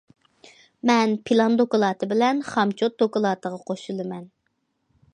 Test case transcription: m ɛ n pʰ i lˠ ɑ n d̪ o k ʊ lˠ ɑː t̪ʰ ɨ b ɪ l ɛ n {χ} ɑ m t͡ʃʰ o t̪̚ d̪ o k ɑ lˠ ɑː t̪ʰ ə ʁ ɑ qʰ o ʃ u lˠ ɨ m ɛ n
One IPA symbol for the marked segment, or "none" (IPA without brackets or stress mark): χ